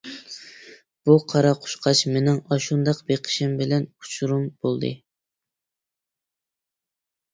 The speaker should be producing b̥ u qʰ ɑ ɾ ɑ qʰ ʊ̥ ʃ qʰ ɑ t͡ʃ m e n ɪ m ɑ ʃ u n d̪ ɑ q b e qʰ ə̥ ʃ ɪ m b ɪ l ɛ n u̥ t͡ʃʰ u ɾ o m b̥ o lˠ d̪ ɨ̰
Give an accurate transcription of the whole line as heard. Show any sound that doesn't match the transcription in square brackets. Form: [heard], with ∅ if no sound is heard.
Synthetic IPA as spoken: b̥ u qʰ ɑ ɾ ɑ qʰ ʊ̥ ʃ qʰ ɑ t͡ʃ m e n ɪ [ŋ] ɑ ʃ u n d̪ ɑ q b e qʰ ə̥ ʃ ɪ m b ɪ l ɛ n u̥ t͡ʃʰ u ɾ [u] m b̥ o lˠ d̪ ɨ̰

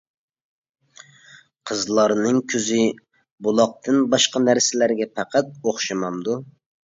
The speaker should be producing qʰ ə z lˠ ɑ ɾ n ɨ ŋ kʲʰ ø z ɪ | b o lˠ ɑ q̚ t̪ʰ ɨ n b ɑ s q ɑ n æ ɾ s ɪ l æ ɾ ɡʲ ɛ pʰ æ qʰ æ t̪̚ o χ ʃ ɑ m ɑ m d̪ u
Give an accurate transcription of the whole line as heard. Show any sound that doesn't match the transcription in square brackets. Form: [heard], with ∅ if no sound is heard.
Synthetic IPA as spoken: qʰ ə z lˠ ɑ ɾ n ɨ ŋ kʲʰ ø z ɪ | b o lˠ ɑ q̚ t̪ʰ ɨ n b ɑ [ʃ] q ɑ n æ ɾ s ɪ l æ ɾ ɡʲ ɛ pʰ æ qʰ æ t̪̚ o χ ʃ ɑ m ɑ m d̪ u

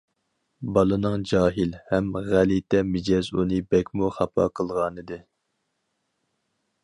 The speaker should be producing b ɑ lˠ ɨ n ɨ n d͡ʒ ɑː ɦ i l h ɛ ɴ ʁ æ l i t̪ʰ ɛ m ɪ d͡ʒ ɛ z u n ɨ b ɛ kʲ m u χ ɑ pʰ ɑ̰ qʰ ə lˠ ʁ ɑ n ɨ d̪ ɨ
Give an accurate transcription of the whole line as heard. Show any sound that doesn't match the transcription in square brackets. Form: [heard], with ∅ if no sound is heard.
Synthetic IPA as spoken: b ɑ lˠ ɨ n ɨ [ŋ] d͡ʒ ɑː ɦ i l h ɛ [m] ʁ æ l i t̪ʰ ɛ m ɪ d͡ʒ ɛ z u n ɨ b ɛ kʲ m u χ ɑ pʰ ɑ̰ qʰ ə lˠ ʁ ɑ n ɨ d̪ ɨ

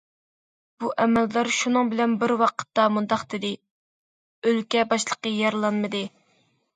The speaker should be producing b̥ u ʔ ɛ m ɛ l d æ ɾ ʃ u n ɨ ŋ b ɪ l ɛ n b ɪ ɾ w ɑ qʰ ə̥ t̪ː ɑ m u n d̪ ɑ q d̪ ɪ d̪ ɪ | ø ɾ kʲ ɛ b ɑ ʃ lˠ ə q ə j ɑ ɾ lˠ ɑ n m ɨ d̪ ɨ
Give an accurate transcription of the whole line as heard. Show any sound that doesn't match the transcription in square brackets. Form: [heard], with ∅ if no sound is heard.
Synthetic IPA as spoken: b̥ u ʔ ɛ m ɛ l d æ ɾ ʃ u n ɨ ŋ b ɪ l ɛ n b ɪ ɾ w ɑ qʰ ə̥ t̪ː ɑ m u n d̪ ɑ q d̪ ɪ d̪ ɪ | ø [l] kʲ ɛ b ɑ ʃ lˠ ə q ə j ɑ ɾ lˠ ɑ n m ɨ d̪ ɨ

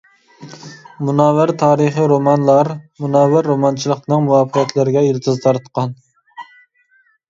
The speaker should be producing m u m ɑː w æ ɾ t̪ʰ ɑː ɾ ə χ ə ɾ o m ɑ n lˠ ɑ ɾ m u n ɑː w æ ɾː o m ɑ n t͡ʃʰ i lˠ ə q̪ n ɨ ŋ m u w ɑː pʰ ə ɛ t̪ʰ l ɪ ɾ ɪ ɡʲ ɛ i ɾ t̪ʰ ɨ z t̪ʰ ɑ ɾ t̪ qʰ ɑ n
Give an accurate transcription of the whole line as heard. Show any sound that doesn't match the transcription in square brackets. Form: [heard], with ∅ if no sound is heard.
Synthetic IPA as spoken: m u [n] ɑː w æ ɾ t̪ʰ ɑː ɾ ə χ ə ɾ o m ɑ n lˠ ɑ ɾ m u n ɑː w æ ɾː o m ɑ n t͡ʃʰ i lˠ ə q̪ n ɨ ŋ m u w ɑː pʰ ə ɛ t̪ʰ l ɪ ɾ ɪ ɡʲ ɛ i ɾ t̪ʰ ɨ z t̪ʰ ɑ ɾ t̪ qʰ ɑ n

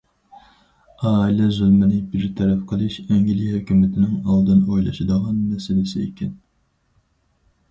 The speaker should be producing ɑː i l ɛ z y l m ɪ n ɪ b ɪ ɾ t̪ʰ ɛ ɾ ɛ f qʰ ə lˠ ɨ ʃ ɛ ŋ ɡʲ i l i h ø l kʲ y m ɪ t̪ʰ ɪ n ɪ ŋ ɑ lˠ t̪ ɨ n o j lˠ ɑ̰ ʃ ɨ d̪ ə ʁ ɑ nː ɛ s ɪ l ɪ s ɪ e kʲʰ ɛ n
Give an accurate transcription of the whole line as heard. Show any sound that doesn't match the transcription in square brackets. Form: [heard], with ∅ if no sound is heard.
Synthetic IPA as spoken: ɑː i l ɛ z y l m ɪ n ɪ b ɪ ɾ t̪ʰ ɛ ɾ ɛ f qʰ ə lˠ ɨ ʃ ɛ ŋ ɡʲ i l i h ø [∅] kʲ y m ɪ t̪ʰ ɪ n ɪ ŋ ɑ lˠ [d̪] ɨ n o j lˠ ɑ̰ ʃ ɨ d̪ ə ʁ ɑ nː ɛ s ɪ l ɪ s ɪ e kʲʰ ɛ n

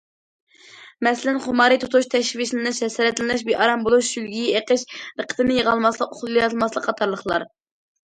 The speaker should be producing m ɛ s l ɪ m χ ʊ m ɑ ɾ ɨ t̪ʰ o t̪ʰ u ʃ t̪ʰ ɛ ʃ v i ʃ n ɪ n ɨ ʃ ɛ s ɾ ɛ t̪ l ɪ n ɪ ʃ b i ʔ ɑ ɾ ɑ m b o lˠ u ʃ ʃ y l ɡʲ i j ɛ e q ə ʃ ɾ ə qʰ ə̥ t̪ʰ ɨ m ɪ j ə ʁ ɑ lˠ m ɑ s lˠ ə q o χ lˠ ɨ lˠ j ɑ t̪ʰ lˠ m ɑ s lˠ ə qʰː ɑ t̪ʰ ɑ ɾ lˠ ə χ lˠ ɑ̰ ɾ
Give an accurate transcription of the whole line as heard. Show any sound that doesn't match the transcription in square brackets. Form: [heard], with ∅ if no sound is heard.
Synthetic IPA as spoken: m ɛ s l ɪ [n] χ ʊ m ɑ ɾ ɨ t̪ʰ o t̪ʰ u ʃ t̪ʰ ɛ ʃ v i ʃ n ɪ n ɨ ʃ ɛ s ɾ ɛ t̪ l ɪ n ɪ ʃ b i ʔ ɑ ɾ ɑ m b o lˠ u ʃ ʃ y l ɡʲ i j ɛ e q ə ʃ ɾ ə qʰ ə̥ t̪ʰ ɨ [n] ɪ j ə ʁ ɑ lˠ m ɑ s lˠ ə q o χ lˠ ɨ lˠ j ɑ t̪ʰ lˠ m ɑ s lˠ ə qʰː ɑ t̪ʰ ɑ ɾ lˠ ə χ lˠ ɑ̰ ɾ

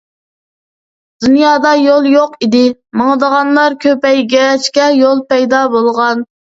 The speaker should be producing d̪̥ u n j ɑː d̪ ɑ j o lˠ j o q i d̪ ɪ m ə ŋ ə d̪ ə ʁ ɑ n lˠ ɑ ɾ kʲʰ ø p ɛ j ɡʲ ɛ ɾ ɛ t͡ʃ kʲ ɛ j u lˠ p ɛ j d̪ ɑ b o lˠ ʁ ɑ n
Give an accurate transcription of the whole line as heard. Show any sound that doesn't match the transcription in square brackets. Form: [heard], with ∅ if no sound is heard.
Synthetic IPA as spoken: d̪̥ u n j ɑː d̪ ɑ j o lˠ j o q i d̪ ɪ m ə ŋ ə d̪ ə ʁ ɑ n lˠ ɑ ɾ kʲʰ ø p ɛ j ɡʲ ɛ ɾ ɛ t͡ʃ kʲ ɛ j [o] lˠ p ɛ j d̪ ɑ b o lˠ ʁ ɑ n

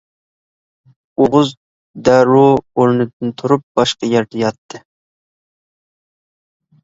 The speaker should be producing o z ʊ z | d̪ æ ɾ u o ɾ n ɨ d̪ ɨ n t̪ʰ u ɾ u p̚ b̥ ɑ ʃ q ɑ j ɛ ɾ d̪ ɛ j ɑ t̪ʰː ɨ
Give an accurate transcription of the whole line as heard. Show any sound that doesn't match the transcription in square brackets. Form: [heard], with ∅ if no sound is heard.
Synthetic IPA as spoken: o [ʁ] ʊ z | d̪ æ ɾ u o ɾ n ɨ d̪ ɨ n t̪ʰ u ɾ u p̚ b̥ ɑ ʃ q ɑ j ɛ ɾ d̪ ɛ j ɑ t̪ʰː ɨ

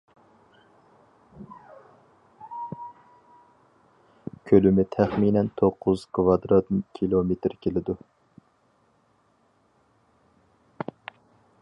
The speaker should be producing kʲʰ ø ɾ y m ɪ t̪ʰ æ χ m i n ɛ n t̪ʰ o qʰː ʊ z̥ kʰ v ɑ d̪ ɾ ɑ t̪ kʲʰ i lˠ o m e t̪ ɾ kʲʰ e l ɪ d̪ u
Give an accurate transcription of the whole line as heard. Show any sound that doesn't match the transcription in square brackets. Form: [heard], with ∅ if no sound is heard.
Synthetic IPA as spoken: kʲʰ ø [l] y m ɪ t̪ʰ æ χ m i n ɛ n t̪ʰ o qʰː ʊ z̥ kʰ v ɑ d̪ ɾ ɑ t̪ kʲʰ i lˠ o m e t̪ ɾ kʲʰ e l ɪ d̪ u

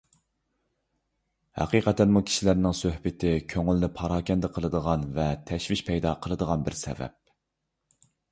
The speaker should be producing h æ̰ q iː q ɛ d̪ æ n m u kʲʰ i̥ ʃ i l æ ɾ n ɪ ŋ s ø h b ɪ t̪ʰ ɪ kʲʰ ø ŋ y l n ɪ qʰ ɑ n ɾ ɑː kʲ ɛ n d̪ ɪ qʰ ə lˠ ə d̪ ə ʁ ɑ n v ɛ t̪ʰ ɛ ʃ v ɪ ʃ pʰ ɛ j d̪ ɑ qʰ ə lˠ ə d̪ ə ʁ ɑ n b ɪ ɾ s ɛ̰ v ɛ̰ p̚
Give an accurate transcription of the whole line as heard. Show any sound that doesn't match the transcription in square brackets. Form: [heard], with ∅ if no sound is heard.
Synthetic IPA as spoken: h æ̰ q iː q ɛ [t̪] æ n m u kʲʰ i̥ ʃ i l æ ɾ n ɪ ŋ s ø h b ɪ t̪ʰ ɪ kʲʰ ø ŋ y l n ɪ [pʰ] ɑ [∅] ɾ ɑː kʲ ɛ n d̪ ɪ qʰ ə lˠ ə d̪ ə ʁ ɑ n v ɛ t̪ʰ ɛ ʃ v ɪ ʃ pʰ ɛ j d̪ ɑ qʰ ə lˠ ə d̪ ə ʁ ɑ n b ɪ ɾ s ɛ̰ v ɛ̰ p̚

